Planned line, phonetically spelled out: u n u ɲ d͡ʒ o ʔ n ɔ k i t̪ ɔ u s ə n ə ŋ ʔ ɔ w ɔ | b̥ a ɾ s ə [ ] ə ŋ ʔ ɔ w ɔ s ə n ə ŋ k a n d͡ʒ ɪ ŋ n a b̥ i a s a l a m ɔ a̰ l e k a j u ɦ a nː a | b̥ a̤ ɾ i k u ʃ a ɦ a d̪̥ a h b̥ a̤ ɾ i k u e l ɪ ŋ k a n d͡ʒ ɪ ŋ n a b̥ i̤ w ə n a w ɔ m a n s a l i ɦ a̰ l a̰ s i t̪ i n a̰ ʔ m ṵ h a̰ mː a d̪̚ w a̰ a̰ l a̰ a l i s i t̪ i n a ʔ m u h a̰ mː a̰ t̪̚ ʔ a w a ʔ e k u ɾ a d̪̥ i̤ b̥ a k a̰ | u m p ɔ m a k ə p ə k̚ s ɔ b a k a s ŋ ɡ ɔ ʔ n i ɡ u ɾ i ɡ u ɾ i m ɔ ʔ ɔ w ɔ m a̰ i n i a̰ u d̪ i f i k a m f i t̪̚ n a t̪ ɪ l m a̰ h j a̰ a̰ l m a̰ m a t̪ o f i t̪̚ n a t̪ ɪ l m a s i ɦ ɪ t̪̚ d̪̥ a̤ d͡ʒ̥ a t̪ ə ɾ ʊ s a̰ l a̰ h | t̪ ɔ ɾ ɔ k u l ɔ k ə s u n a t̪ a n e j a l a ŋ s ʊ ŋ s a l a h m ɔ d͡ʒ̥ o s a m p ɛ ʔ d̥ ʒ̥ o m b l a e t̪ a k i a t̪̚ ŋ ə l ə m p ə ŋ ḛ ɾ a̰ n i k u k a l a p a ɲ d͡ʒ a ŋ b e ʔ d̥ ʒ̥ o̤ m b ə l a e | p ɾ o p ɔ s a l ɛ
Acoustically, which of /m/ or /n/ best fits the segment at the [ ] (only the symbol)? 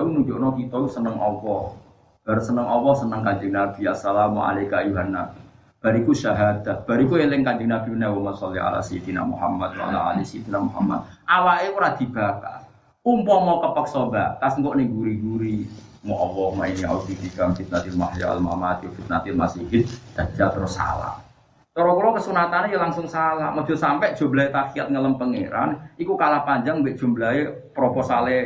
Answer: n